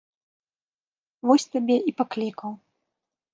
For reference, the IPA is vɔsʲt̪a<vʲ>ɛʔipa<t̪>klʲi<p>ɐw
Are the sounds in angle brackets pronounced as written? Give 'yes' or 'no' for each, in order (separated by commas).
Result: no, no, no